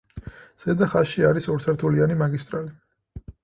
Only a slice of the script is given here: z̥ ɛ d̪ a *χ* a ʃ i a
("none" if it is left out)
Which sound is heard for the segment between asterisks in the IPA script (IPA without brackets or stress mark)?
χ